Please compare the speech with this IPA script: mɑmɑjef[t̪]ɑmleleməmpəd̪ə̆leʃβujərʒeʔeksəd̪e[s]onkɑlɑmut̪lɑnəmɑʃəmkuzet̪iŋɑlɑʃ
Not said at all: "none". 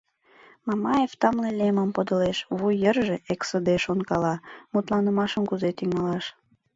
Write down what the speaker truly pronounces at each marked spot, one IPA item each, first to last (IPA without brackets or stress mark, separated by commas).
t̪, ʃ